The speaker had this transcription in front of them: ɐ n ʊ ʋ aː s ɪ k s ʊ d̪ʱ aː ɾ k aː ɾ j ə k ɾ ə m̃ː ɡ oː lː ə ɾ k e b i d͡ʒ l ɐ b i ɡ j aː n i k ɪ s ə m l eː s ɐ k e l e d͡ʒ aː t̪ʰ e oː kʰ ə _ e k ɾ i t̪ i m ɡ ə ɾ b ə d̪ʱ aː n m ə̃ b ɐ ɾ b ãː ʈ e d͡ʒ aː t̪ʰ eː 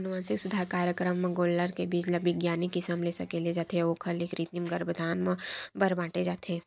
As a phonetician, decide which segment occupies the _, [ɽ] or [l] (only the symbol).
l